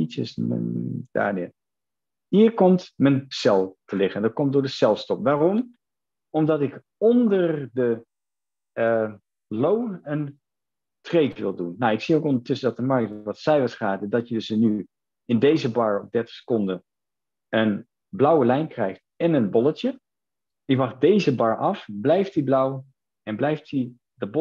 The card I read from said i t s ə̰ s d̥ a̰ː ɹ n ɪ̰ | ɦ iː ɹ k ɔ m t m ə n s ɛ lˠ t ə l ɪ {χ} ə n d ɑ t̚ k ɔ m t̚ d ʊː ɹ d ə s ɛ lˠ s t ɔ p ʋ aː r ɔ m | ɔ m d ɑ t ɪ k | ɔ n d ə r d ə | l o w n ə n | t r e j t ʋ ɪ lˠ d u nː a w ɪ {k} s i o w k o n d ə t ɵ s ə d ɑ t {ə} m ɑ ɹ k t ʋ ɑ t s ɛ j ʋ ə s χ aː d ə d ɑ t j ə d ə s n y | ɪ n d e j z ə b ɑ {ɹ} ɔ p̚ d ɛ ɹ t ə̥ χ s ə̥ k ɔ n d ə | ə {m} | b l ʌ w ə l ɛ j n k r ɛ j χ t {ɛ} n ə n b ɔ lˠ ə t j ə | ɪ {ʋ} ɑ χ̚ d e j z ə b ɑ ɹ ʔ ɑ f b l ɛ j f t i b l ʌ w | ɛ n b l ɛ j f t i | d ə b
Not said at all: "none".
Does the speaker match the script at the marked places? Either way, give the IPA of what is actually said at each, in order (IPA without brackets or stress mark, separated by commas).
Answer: χ, k, ə, ɹ, n, ɛ, ʋ